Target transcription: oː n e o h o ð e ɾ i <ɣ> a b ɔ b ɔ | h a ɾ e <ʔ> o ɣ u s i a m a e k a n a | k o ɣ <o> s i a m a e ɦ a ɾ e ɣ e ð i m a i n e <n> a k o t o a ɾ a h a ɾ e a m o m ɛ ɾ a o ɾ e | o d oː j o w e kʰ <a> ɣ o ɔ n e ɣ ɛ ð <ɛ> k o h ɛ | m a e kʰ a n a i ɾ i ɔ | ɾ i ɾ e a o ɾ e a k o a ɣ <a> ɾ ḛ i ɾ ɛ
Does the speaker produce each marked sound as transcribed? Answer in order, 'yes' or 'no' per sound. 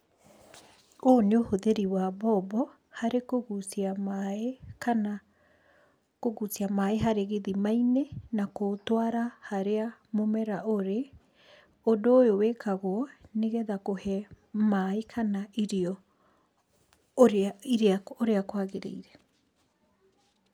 no, no, no, yes, yes, no, no

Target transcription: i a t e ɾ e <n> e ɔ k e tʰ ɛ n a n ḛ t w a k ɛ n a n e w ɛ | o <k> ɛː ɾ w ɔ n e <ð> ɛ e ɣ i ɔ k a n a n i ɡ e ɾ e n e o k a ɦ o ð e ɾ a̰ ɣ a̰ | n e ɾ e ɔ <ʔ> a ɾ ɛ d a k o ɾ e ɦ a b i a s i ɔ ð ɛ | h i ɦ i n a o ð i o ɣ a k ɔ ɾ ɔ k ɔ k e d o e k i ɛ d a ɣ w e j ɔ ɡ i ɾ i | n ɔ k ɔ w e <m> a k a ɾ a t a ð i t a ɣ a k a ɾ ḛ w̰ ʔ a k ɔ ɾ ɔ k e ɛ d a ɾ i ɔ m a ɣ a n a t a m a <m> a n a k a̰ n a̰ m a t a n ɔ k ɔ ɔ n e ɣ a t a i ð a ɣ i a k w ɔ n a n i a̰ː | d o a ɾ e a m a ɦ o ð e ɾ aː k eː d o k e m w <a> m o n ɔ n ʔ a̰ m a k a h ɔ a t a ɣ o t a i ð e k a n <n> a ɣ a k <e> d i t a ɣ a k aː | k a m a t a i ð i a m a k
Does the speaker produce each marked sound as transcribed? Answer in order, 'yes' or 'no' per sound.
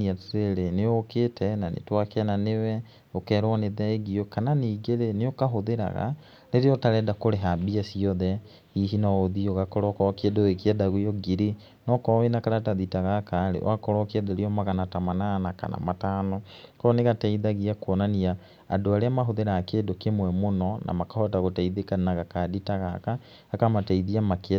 yes, yes, yes, no, no, no, no, yes, no

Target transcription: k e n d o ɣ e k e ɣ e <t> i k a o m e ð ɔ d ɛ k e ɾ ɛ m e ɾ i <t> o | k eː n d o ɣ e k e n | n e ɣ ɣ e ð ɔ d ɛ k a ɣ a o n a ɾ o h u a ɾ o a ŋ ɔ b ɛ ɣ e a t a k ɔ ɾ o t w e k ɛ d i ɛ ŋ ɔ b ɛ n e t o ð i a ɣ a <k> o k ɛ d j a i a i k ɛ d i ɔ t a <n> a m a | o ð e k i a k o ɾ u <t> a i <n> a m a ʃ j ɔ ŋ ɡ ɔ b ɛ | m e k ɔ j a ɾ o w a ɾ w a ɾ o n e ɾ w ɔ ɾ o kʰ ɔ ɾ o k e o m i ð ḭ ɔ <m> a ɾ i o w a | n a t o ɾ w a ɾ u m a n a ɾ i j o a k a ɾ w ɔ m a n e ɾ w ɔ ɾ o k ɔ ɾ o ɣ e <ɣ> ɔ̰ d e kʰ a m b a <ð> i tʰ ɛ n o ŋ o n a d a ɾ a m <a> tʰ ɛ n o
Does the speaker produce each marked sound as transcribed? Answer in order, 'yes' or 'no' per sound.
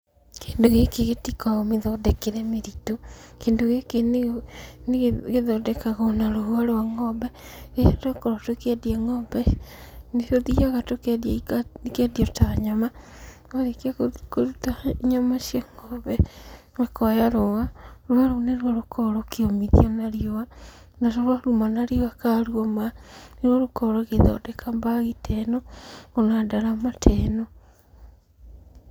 yes, yes, no, no, yes, no, no, no, no, yes

